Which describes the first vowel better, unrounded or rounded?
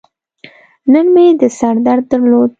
unrounded